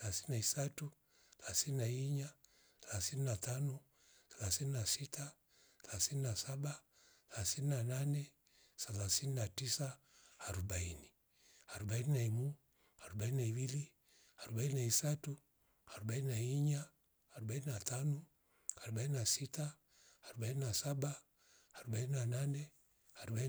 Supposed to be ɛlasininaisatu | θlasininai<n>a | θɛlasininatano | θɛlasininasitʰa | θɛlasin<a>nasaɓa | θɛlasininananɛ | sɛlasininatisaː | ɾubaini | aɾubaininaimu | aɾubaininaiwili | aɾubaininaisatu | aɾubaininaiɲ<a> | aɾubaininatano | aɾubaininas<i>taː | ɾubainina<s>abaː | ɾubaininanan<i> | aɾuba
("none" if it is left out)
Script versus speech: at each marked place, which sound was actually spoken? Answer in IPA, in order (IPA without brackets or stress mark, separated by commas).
ɲ, i, a, i, s, ɛ